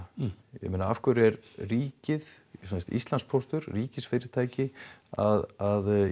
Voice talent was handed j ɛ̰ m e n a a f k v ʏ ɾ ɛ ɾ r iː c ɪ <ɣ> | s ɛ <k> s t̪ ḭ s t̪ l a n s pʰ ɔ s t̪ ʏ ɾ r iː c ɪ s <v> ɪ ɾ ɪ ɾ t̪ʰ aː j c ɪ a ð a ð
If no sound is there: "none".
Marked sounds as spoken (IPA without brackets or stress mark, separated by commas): ð, none, f